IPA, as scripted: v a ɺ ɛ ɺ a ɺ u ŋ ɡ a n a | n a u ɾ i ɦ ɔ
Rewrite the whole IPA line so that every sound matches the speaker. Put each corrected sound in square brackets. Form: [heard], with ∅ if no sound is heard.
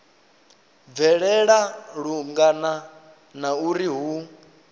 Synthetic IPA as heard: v [ɛ] ɺ ɛ ɺ a ɺ u ŋ ɡ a n a | n a u ɾ i ɦ [u]